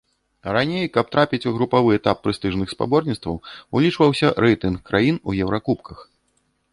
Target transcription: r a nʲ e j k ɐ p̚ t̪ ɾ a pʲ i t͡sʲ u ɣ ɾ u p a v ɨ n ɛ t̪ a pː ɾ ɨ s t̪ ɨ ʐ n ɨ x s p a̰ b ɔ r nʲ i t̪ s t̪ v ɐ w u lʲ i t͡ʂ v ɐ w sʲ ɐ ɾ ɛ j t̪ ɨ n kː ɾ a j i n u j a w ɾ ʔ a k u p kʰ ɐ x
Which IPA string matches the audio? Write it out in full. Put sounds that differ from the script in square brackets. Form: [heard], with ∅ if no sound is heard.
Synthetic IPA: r a nʲ e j k ɐ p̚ t̪ ɾ a pʲ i t͡sʲ u ɣ ɾ u p a v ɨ [∅] ɛ t̪ a pː ɾ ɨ s t̪ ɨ ʐ n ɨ x s p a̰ b ɔ r nʲ i t̪ s t̪ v ɐ w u lʲ i t͡ʂ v ɐ w sʲ ɐ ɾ ɛ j t̪ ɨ n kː ɾ a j i n u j [ɛ] w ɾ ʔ a k u p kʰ ɐ x